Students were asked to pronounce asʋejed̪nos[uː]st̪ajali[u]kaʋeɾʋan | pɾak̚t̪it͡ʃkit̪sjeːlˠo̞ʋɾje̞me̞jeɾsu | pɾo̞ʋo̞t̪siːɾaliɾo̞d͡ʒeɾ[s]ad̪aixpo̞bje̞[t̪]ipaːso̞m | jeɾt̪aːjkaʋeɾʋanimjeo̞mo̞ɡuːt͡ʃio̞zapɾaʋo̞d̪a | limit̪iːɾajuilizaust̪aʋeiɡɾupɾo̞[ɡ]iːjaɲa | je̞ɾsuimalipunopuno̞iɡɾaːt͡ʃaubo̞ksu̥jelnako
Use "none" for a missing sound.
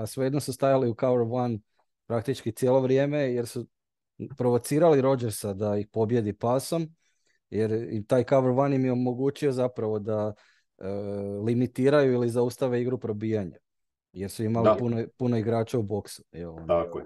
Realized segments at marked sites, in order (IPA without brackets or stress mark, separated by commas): u, u, s, d̪, b